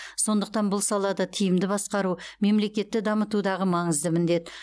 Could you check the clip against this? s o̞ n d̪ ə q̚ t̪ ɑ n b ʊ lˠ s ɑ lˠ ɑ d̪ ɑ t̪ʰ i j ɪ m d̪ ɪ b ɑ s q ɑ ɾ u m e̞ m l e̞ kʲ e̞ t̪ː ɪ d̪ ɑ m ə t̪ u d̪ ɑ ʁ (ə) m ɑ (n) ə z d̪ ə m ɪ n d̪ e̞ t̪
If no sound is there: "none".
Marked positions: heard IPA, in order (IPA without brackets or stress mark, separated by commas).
ə, ɴ